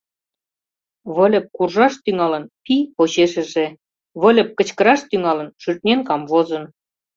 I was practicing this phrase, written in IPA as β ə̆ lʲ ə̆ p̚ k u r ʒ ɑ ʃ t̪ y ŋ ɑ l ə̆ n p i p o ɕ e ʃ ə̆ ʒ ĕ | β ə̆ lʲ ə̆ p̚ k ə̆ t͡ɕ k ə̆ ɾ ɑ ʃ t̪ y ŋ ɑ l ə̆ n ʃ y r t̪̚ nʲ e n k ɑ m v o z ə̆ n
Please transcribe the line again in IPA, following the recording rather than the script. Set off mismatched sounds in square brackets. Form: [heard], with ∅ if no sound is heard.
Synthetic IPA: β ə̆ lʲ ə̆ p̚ k u r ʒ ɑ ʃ t̪ y ŋ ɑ l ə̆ n p i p o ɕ e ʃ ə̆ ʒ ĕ | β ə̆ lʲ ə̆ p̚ k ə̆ t͡ɕ k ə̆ ɾ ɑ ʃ t̪ y ŋ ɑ l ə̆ n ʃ y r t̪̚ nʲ e n k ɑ m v o z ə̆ n